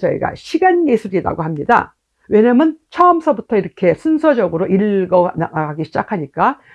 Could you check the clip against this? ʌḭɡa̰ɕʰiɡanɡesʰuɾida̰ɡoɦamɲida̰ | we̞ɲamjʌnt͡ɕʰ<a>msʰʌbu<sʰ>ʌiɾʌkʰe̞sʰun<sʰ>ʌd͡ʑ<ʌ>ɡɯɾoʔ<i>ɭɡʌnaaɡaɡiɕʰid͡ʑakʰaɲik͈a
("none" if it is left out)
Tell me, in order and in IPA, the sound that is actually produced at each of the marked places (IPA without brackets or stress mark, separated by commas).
ʌ, tʰ, sʰ, ʌ, i